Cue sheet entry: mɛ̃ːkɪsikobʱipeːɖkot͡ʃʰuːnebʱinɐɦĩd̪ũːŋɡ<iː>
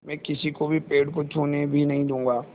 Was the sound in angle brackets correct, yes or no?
no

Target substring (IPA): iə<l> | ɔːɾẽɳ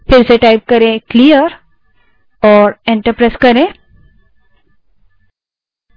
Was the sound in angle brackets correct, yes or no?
no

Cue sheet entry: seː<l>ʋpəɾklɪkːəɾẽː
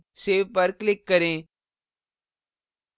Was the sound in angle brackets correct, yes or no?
no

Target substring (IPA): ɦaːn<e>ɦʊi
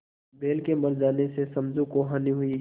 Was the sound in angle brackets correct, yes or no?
no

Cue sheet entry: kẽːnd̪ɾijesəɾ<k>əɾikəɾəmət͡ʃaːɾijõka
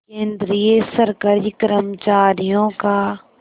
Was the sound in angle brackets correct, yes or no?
yes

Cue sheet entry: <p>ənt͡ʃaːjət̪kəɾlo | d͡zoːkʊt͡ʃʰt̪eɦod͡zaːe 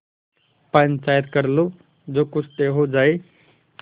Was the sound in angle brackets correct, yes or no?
yes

